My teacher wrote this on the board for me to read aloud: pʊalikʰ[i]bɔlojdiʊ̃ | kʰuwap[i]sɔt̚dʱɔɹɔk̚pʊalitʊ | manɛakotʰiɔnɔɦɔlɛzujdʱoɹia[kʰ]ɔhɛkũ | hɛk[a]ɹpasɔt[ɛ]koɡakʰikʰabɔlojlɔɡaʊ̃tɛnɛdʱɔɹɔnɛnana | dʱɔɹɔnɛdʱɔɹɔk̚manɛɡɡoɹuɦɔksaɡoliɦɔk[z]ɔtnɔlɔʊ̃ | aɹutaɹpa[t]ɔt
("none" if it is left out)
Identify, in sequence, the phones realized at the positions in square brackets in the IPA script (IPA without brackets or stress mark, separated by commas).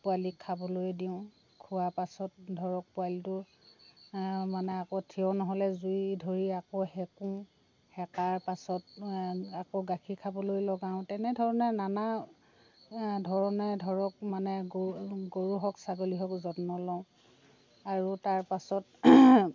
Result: a, a, k, a, a, z, s